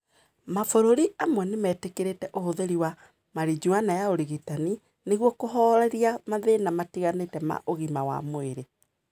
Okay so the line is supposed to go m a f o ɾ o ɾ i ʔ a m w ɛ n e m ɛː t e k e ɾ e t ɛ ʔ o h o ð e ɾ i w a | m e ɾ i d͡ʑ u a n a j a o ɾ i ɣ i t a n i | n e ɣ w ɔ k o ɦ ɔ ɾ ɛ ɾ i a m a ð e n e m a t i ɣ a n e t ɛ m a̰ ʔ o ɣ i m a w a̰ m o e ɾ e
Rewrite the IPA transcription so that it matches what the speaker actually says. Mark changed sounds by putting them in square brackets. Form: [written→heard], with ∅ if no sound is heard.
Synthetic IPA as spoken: m a f o ɾ o ɾ i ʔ a m w ɛ n e m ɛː t e k e ɾ e t ɛ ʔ o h o ð e ɾ i w a | m [e→a] ɾ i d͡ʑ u a n a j a o ɾ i ɣ i t a n i | n e ɣ w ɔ k o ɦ ɔ ɾ ɛ ɾ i a m a ð e n [e→a] m a t i ɣ a n e t ɛ m a̰ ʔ o ɣ i m a w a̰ m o e ɾ e